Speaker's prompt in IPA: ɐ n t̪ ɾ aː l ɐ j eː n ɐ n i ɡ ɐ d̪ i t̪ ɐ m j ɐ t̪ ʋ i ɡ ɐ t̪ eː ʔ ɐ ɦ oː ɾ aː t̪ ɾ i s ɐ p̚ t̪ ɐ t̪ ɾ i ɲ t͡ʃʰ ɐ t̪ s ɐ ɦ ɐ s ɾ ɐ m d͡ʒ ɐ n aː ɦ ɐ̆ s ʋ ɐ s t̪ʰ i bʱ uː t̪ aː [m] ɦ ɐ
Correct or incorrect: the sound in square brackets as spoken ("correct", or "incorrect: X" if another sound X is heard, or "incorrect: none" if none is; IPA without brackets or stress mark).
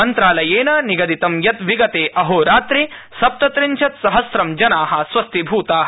incorrect: none